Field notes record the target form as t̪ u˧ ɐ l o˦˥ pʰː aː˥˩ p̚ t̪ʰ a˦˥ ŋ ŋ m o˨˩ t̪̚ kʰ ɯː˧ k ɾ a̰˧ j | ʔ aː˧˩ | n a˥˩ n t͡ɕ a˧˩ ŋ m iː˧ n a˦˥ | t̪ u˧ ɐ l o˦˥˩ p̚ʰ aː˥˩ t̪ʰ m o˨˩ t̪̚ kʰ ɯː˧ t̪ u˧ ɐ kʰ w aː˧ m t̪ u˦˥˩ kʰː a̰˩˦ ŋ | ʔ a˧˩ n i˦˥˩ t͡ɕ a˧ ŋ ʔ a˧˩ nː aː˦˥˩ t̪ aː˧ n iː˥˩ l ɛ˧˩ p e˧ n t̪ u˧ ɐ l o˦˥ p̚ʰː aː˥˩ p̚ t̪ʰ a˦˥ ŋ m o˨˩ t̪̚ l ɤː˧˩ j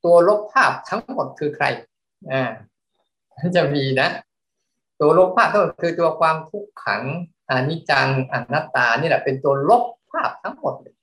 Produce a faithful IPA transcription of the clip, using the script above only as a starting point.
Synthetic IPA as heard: t̪ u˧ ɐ l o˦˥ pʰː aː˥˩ p̚ t̪ʰ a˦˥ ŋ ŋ m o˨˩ t̪̚ kʰ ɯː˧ kʰ ɾ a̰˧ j | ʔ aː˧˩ | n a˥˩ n t͡ɕ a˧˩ m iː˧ n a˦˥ | t̪ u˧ ɐ l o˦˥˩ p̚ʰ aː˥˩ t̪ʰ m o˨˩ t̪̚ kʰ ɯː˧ t̪ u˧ ɐ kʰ w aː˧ m t̪ʰ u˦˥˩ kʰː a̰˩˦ ŋ | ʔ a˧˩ n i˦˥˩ t͡ɕ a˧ ŋ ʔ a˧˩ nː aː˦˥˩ t̪ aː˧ n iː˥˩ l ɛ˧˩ p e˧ n t̪ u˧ ɐ l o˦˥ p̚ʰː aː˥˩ p̚ t̪ʰ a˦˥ ŋ m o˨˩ t̪̚ l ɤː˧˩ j